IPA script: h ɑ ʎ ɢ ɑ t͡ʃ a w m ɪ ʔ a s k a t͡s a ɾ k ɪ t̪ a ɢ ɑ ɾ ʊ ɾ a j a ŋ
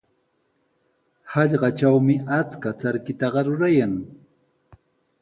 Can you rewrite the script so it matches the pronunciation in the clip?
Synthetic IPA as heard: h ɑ ʎ ɢ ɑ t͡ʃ a w m ɪ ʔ a t͡s k a t͡s a ɾ k ɪ t̪ ɑ ɢ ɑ ɾ ʊ ɾ a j a ŋ